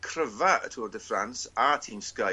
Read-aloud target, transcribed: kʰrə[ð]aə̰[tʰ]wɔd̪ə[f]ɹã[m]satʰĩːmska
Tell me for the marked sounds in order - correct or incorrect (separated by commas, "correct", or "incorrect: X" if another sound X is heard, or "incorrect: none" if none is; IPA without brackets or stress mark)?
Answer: incorrect: v, correct, correct, incorrect: n